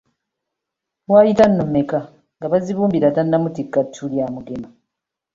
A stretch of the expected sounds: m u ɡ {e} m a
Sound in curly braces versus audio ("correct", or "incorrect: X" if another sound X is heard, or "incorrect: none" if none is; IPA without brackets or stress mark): correct